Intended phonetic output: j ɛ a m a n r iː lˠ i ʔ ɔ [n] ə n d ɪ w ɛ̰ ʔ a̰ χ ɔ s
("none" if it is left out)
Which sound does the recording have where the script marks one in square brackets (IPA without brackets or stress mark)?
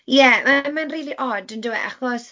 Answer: d